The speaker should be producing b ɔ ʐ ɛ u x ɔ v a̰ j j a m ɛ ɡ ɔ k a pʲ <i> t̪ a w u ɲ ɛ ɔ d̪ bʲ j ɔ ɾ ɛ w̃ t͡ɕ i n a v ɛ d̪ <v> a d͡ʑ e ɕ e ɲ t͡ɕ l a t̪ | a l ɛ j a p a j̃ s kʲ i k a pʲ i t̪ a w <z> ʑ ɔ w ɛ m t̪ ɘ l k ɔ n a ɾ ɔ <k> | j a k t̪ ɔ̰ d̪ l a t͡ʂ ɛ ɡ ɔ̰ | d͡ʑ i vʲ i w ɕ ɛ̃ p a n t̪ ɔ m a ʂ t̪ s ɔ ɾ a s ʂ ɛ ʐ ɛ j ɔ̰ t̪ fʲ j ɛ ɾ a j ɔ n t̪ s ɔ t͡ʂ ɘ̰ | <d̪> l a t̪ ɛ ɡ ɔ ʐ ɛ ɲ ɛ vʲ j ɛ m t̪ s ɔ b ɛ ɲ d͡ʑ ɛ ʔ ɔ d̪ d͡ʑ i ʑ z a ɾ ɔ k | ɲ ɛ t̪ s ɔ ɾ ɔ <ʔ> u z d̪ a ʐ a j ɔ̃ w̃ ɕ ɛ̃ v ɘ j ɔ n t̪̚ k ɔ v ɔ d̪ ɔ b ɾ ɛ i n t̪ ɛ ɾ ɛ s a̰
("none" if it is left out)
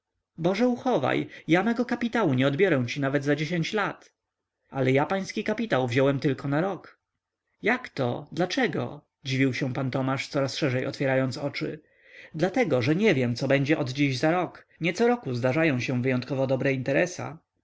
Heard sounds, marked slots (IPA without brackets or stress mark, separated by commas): i, z, v, k, d̪, k